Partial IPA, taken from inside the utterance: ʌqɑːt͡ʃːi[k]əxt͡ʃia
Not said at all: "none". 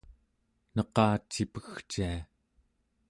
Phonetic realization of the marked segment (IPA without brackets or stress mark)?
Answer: p